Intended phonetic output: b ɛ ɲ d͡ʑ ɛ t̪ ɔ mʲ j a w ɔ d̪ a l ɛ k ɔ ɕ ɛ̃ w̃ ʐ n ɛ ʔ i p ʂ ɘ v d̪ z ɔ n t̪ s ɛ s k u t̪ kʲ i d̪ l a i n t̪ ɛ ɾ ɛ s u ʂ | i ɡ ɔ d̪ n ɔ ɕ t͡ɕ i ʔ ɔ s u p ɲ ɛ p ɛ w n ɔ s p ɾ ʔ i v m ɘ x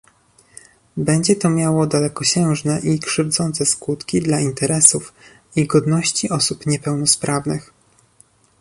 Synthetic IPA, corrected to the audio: b ɛ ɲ d͡ʑ ɛ t̪ ɔ mʲ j a w ɔ d̪ a l ɛ k ɔ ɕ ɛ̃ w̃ ʐ n ɛ ʔ i k ʂ ɘ v d̪ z ɔ n t̪ s ɛ s k u t̪ kʲ i d̪ l a i n t̪ ɛ ɾ ɛ s u f | i ɡ ɔ d̪ n ɔ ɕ t͡ɕ i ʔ ɔ s u p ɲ ɛ p ɛ w n ɔ s p ɾ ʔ a v n ɘ x

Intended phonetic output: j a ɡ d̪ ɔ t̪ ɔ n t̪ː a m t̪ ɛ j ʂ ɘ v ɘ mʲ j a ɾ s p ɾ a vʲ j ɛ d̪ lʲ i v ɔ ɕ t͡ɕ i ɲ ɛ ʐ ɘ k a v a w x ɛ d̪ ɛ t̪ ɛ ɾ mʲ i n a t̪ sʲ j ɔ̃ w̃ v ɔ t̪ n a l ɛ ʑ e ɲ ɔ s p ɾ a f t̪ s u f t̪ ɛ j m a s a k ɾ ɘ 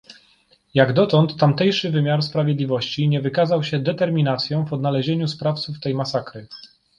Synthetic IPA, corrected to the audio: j a ɡ d̪ ɔ t̪ ɔ n t̪ː a m t̪ ɛ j ʂ ɘ v ɘ mʲ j a ɾ s p ɾ a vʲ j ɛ d̪ lʲ i v ɔ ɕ t͡ɕ i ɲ ɛ v ɘ k a z a w ɕ ɛ d̪ ɛ t̪ ɛ ɾ mʲ i n a t̪ sʲ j ɔ̃ w̃ v ɔ d̪ n a l ɛ ʑ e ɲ u s p ɾ a f t̪ s u f t̪ ɛ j m a s a k ɾ ɘ

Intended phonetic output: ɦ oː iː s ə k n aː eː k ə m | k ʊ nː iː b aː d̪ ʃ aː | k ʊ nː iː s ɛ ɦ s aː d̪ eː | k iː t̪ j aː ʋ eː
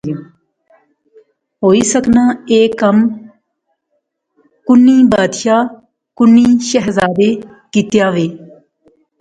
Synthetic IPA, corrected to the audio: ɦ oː iː s ə k n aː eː k ə m | k ʊ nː iː b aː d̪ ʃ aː | k ʊ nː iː ʃ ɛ ɦ z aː d̪ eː | k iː t̪ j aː ʋ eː

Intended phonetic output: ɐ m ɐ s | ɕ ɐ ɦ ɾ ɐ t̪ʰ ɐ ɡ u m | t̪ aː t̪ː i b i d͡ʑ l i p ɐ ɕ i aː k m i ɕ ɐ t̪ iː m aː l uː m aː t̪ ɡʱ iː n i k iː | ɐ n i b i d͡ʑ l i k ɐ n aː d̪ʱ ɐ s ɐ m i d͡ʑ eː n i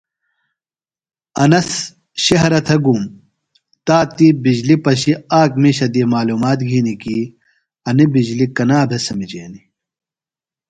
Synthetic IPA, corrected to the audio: ɐ n ɐ s | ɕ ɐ ɦ ɾ ɐ t̪ʰ ɐ ɡ u m | t̪ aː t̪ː i b i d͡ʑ l i p ɐ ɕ i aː k m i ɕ ɐ d̪ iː m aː l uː m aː t̪ ɡʱ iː n i k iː | ɐ n i b i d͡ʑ l i k ɐ n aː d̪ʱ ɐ s ɐ m i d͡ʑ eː n i

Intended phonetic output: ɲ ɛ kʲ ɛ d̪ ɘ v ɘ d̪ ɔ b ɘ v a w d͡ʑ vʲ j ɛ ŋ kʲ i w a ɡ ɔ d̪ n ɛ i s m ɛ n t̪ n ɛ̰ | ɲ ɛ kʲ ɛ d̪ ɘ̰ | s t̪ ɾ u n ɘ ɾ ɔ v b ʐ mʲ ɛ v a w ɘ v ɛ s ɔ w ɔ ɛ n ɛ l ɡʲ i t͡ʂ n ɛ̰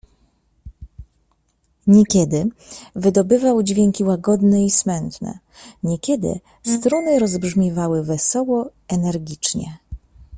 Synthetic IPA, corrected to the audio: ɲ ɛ kʲ ɛ d̪ ɘ v ɘ d̪ ɔ b ɘ v a w d͡ʑ vʲ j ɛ ŋ kʲ i w a ɡ ɔ d̪ n ɛ i s m ɛ n t̪ n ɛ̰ | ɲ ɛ kʲ ɛ d̪ ɘ̰ | s t̪ ɾ u n ɘ ɾ ɔ z b ʐ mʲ ɛ v a w ɘ v ɛ s ɔ w ɔ ɛ n ɛ ɾ ɡʲ i t͡ʂ ɲ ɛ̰

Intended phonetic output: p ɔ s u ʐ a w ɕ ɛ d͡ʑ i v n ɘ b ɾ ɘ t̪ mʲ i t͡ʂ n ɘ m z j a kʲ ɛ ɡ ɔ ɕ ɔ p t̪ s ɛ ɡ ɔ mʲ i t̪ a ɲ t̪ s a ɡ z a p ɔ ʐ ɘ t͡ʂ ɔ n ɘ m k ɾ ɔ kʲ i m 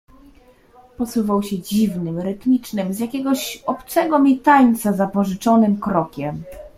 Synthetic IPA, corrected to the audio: p ɔ s u v a w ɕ ɛ d͡ʑ i v n ɘ m ɾ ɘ t̪ mʲ i t͡ʂ n ɘ m z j a kʲ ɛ ɡ ɔ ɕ ɔ p t̪ s ɛ ɡ ɔ mʲ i t̪ a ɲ t̪ s a z a p ɔ ʐ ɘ t͡ʂ ɔ n ɘ m k ɾ ɔ kʲ ɛ m

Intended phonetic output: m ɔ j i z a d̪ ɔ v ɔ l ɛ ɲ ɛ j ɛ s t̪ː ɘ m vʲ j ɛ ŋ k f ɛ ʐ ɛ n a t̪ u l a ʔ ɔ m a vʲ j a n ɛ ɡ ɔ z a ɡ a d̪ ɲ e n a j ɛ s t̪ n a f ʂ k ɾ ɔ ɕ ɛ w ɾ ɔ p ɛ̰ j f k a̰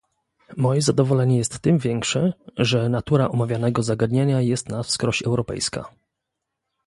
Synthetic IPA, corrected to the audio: m ɔ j ɛ z a d̪ ɔ v ɔ l ɛ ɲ ɛ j ɛ s t̪ː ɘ m vʲ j ɛ ŋ k ʂ ɛ ʐ ɛ n a t̪ u ɾ a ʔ ɔ m a vʲ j a n ɛ ɡ ɔ z a ɡ a d̪ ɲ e ɲ a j ɛ s t̪ n a f s k ɾ ɔ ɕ ɛ w ɾ ɔ p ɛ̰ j s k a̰

